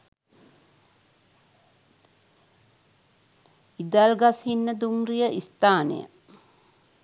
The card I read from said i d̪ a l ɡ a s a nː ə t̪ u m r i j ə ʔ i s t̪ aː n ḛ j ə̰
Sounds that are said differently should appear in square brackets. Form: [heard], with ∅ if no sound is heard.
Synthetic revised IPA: i d̪ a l ɡ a s [i] nː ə [d̪] u m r i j ə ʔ i s t̪ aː n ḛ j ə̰